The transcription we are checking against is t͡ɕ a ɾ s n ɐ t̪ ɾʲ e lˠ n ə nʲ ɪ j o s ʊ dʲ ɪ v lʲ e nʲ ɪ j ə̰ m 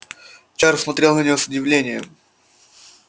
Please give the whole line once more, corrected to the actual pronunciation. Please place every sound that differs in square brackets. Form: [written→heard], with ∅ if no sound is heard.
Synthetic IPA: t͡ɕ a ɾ s [n→m] ɐ t̪ ɾʲ e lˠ n ə nʲ ɪ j o s ʊ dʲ ɪ v lʲ e nʲ ɪ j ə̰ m